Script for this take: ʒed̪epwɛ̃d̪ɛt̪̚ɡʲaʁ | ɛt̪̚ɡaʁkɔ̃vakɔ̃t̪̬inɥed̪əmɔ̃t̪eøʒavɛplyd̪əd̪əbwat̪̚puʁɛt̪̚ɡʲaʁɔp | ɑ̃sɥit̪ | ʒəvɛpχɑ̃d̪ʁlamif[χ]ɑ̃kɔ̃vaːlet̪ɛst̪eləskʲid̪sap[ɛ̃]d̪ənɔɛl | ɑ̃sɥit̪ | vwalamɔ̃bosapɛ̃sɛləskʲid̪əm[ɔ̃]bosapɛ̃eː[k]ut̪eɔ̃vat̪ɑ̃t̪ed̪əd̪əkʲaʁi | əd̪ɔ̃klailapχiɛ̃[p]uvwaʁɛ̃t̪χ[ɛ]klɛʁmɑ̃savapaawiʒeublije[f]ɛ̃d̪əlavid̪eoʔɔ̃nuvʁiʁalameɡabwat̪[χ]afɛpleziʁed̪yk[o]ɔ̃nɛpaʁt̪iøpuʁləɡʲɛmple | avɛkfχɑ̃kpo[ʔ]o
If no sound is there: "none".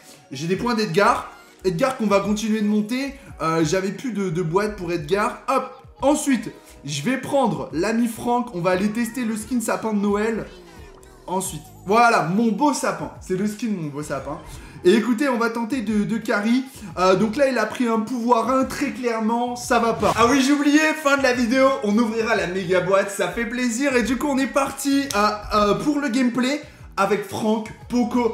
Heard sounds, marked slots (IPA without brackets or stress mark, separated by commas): χ, ɛ̃, ɔ̃, k, p, ɛ, f, s, u, k